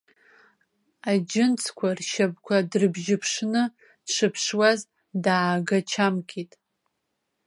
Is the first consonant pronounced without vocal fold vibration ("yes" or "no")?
no